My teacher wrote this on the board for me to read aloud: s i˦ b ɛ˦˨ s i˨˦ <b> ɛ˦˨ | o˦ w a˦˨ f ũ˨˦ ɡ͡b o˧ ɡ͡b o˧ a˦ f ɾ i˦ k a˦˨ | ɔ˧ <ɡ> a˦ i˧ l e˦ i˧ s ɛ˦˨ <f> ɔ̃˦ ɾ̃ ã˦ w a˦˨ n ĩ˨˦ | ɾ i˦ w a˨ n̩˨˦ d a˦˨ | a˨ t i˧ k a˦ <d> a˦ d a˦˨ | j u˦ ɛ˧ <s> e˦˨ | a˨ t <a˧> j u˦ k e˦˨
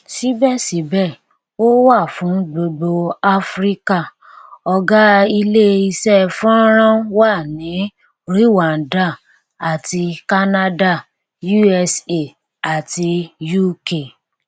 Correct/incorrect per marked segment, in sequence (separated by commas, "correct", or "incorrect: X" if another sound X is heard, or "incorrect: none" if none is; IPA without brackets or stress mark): correct, correct, correct, incorrect: n, correct, incorrect: i˧